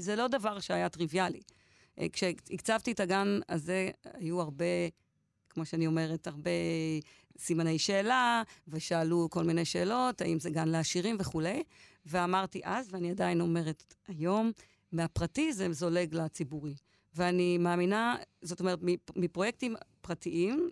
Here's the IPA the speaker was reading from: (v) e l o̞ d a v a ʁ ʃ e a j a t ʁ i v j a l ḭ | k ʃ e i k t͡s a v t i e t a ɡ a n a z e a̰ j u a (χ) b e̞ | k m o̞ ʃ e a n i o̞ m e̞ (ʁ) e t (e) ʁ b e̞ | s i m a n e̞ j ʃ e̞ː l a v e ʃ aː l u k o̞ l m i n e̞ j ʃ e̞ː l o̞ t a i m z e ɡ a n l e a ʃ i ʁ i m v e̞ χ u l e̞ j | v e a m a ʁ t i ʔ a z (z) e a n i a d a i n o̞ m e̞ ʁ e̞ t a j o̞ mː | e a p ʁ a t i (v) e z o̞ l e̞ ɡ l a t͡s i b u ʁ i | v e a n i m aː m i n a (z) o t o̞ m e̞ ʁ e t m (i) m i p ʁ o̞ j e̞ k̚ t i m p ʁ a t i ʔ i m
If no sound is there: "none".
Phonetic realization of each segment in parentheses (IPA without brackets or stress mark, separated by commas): z, ʁ, ʁ, a, v, z, z, i